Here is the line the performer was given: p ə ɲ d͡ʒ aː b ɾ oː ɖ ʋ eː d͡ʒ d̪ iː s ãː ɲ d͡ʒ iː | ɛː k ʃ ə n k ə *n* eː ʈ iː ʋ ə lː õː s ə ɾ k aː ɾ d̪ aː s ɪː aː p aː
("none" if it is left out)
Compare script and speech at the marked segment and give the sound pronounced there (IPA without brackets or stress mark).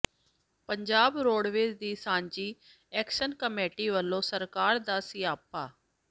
m